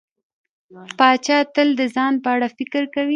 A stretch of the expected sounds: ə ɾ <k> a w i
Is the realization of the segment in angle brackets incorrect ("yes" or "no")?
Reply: no